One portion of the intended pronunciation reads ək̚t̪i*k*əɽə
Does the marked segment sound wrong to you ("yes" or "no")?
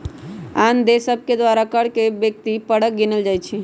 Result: yes